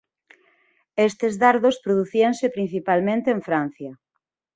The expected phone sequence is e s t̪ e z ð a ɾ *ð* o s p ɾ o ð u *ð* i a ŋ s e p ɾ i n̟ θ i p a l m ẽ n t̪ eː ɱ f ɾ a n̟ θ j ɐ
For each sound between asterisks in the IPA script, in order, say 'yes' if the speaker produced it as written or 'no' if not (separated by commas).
yes, no